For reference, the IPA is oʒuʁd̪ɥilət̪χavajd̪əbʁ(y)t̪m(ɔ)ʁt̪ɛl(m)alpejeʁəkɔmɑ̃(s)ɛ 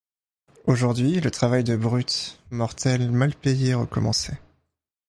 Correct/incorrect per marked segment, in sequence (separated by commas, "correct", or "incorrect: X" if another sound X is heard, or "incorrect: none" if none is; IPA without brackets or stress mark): correct, correct, correct, correct